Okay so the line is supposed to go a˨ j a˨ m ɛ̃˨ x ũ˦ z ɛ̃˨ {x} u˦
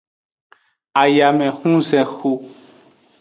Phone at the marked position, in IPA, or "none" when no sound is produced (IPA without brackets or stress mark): x